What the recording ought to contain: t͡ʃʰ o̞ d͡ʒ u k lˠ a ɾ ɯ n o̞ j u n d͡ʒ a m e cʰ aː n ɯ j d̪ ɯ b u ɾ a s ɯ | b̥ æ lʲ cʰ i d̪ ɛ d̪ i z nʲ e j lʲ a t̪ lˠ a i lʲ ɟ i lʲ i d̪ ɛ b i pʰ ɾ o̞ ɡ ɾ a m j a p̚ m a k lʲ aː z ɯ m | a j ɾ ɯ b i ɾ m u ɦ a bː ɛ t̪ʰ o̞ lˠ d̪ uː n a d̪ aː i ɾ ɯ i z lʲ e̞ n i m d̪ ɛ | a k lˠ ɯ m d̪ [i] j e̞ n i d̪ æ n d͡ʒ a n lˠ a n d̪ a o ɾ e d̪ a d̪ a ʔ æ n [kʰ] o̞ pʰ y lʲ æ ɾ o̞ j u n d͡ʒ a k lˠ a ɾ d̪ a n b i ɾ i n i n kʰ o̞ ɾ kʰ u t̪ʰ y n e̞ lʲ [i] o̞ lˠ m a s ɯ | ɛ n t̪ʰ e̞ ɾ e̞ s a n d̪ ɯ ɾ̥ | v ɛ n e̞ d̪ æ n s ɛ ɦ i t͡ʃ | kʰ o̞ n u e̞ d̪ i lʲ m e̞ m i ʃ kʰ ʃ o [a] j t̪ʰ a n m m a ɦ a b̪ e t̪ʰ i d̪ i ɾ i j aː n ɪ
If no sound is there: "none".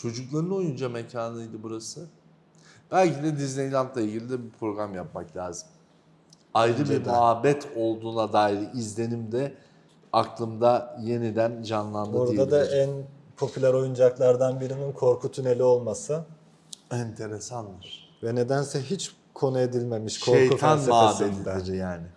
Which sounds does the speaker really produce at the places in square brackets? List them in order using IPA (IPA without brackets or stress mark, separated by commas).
a, pʰ, i, e